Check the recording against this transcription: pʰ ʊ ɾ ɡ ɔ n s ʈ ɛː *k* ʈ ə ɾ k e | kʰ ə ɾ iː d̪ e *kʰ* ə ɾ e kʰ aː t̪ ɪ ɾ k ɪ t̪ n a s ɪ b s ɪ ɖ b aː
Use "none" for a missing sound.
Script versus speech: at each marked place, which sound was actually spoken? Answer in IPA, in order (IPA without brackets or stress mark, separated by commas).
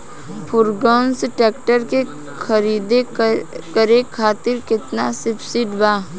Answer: k, k